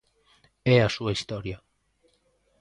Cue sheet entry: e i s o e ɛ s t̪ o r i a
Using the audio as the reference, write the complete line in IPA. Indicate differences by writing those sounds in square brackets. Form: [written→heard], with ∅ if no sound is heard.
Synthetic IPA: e [i→a] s [o→u] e [ɛ→i] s t̪ o [r→ɾ] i a